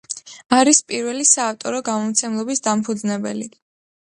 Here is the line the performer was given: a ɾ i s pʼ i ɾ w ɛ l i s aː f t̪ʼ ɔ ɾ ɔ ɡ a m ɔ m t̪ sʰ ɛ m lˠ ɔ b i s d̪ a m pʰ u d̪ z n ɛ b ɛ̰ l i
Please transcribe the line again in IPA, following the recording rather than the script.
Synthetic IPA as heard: a ɾ i s pʼ i ɾ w ɛ l i s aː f t̪ʼ ɔ ɾ ɔ ɡ a m ɔ m t̪ sʰ ɛ m lˠ ɔ b i s d̪ a m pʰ u d̪ z n ɛ b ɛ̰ l i